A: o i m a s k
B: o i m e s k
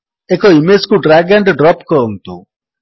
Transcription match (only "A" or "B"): B